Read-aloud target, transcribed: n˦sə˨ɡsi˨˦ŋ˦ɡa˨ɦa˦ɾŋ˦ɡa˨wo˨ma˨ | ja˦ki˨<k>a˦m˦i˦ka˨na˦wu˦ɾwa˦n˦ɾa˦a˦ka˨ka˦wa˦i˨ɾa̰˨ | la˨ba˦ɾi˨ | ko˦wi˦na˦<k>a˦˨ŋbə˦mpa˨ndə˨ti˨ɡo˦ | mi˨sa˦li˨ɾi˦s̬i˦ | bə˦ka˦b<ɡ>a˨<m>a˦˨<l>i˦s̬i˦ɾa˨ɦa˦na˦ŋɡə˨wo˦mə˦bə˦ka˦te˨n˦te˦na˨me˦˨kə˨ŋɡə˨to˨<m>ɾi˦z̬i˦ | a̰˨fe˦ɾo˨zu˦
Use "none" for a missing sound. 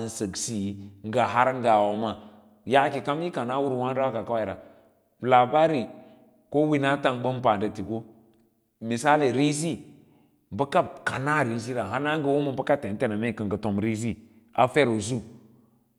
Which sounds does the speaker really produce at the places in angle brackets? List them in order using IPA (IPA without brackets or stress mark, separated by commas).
k, t, k, n, ɾ, m